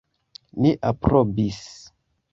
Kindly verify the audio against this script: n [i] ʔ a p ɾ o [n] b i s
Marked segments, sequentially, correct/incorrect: correct, incorrect: none

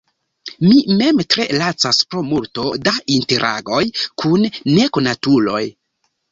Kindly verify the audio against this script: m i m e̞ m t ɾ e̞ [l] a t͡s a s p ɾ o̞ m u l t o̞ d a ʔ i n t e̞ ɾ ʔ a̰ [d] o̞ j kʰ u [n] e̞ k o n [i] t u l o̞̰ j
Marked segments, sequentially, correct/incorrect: correct, incorrect: ɡ, incorrect: nː, incorrect: a

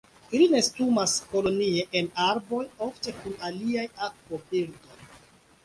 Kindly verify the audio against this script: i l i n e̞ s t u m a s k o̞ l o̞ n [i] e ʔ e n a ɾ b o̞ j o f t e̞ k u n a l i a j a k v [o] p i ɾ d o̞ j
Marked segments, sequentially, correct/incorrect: correct, correct

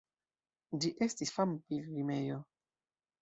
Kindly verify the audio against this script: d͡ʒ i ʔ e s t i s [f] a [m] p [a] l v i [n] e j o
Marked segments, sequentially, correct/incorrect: correct, correct, incorrect: i, incorrect: m

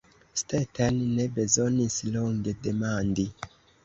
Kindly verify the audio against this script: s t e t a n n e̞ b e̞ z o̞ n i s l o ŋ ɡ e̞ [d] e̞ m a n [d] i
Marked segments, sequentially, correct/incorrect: correct, correct

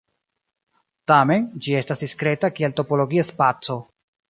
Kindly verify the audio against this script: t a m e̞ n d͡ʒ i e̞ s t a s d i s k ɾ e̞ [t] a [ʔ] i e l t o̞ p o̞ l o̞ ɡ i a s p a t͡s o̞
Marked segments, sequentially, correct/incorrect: correct, incorrect: k

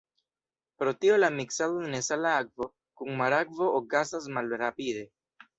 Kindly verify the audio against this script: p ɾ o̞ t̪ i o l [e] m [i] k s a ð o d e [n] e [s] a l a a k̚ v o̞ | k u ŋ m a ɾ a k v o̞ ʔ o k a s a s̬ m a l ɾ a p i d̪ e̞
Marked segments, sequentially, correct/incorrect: incorrect: a, correct, correct, correct

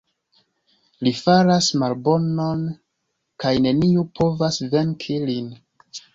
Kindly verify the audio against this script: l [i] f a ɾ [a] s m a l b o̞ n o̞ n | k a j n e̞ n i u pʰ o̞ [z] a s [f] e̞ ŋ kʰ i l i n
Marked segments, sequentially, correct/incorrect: correct, correct, incorrect: v, incorrect: v

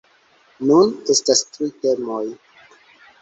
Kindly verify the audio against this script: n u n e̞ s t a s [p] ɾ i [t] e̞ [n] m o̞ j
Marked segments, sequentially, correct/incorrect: incorrect: t, correct, incorrect: none

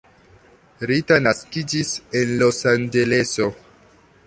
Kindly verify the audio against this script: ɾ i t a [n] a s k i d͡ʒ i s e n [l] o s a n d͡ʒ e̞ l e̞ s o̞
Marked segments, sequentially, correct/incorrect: correct, correct

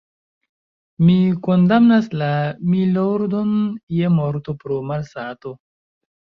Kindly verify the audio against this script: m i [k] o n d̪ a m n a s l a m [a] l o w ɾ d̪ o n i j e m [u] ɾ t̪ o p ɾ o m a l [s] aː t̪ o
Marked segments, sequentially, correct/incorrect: correct, incorrect: i, incorrect: o, correct

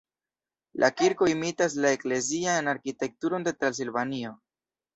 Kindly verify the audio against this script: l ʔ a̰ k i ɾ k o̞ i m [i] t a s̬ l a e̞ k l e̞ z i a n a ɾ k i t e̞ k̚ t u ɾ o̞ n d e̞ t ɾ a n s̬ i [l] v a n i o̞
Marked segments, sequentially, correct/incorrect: correct, correct

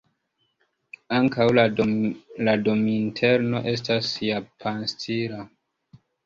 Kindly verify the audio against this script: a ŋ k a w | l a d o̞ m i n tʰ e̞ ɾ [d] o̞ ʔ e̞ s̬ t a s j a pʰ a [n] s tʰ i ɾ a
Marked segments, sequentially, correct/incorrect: incorrect: n, correct

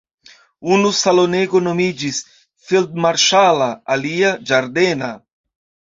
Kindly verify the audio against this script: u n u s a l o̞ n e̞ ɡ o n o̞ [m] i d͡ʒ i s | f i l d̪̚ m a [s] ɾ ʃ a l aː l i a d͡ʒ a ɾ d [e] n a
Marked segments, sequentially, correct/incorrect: correct, incorrect: none, correct

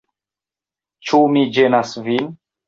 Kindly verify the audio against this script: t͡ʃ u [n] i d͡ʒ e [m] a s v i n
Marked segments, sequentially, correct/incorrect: incorrect: m, incorrect: n

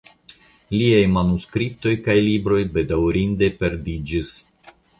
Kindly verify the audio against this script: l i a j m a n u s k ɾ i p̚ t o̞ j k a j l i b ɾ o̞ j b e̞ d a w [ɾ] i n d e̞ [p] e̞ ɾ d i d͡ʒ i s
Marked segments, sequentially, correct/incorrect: correct, correct

